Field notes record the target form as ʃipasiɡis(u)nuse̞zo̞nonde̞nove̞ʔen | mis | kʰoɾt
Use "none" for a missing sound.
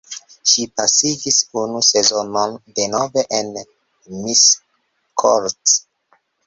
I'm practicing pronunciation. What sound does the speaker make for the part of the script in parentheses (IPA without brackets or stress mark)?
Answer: u